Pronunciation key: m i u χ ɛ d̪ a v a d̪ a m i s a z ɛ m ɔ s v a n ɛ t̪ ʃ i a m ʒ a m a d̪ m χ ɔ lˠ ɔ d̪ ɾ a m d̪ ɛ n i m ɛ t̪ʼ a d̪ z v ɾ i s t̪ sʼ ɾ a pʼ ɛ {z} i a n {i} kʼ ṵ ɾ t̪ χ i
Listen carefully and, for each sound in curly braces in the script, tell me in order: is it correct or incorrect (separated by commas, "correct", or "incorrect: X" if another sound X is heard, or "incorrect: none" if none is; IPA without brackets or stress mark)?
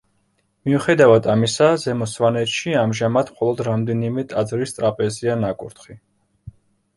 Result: correct, incorrect: a